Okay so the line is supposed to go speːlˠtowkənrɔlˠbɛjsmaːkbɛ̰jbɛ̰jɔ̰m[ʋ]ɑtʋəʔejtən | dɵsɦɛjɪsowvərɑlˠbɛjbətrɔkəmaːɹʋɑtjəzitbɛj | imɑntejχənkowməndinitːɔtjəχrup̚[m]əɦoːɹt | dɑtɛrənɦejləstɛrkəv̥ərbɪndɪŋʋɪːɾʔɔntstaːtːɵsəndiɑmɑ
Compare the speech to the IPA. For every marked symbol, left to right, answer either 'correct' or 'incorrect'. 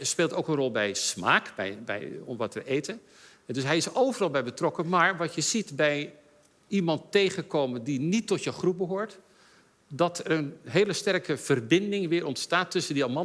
correct, incorrect

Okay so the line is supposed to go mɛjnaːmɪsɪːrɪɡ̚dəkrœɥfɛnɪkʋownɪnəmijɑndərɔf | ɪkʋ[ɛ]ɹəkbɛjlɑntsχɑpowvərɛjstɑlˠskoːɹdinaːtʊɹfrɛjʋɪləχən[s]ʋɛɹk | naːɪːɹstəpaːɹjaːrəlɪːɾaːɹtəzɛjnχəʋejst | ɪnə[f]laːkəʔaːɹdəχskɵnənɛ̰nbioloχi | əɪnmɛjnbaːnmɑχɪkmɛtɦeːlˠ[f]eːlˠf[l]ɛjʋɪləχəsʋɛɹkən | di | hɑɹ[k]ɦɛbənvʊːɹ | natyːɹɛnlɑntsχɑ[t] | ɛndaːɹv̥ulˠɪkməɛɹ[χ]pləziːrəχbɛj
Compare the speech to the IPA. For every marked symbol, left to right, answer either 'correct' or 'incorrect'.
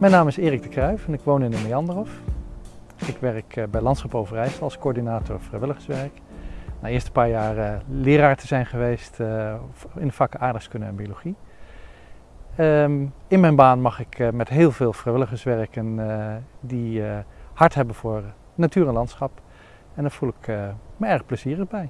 correct, correct, correct, incorrect, incorrect, incorrect, incorrect, correct

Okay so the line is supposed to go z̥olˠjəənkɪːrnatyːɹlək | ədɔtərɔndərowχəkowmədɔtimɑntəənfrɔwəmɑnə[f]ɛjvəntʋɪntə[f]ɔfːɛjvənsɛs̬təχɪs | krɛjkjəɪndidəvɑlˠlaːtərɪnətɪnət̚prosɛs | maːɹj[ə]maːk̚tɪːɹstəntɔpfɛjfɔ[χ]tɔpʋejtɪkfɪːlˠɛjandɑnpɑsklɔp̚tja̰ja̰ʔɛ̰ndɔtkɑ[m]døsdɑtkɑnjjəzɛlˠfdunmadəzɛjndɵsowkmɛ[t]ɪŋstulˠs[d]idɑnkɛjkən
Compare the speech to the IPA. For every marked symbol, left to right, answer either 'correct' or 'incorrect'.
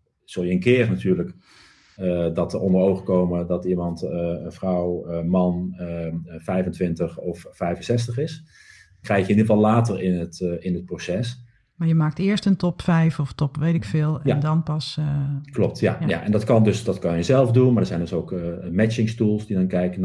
correct, incorrect, correct, incorrect, incorrect, incorrect, correct

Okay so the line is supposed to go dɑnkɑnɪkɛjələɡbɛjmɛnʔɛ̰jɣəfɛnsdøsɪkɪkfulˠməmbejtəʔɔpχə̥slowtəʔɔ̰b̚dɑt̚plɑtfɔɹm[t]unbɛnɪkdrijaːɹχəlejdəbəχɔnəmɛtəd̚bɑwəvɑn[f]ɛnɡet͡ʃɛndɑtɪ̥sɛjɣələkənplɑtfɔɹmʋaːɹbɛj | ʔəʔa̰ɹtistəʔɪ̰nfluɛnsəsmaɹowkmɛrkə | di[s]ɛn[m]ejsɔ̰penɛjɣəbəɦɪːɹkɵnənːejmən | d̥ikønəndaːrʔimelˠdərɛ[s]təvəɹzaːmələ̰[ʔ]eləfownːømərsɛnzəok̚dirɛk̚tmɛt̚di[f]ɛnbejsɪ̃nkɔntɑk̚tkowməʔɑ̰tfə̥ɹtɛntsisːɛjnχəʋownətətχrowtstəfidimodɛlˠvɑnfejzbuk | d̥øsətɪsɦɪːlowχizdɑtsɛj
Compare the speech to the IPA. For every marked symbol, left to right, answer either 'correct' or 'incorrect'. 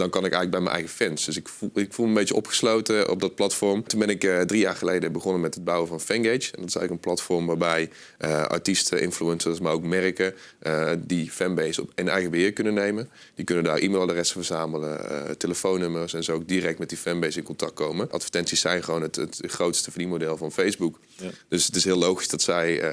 correct, correct, incorrect, incorrect, correct, incorrect, correct

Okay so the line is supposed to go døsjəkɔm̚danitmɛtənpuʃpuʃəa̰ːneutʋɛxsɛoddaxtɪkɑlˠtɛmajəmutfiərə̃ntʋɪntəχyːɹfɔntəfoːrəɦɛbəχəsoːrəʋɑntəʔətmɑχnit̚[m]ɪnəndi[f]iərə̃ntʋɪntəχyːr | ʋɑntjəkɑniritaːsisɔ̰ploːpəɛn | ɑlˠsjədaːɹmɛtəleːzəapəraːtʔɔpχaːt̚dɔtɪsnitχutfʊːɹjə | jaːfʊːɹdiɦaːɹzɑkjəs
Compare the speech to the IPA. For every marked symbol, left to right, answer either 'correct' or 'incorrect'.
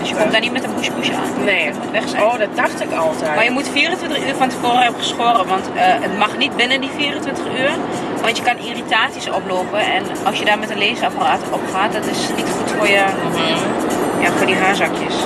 incorrect, correct

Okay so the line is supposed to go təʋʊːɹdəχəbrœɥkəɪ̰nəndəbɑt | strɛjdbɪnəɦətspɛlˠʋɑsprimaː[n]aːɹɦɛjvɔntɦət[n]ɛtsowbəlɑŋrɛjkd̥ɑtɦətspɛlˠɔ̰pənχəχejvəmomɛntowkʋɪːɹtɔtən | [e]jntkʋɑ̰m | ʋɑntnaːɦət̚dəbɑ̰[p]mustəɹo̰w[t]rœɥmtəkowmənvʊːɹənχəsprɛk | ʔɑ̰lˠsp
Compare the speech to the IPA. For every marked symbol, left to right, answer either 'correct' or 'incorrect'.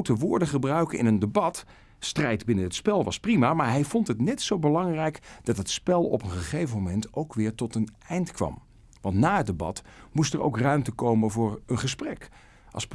incorrect, correct, incorrect, incorrect, incorrect

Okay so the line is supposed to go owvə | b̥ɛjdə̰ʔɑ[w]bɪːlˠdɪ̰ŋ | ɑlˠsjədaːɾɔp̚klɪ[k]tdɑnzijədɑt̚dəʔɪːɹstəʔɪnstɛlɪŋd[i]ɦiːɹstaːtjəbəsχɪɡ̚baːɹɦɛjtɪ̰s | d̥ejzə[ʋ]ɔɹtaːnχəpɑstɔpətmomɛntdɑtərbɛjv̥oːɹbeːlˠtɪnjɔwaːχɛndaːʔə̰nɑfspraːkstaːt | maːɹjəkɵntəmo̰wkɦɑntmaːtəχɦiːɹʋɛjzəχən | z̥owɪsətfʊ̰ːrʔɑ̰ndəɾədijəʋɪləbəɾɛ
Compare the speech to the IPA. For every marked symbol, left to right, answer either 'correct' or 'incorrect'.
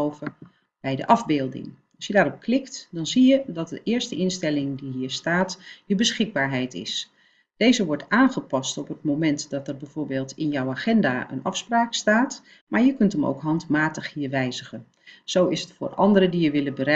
incorrect, correct, correct, correct

